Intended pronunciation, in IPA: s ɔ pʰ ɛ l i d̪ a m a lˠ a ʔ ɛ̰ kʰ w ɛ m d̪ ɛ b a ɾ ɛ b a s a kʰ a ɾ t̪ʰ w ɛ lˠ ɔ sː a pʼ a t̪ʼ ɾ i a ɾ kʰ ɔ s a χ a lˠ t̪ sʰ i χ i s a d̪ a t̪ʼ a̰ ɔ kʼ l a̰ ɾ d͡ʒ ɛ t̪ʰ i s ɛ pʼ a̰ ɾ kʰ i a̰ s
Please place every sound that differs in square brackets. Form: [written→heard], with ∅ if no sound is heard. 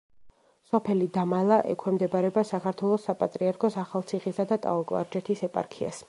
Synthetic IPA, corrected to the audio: s ɔ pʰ ɛ l i d̪ a m a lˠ a ʔ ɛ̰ kʰ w ɛ m d̪ ɛ b a ɾ ɛ b a s a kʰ a ɾ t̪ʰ w ɛ lˠ ɔ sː a pʼ a t̪ʼ ɾ i a ɾ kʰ ɔ s a χ a lˠ t̪ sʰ i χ i s a d̪ a t̪ʼ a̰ ɔ kʼ l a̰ ɾ d͡ʒ ɛ t̪ʰ i s ɛ pʼ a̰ ɾ kʰ i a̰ s